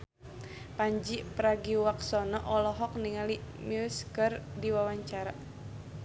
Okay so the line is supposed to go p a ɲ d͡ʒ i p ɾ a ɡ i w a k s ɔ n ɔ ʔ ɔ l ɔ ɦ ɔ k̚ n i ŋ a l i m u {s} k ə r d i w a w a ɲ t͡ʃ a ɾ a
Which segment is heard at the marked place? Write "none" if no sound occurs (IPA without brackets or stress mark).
s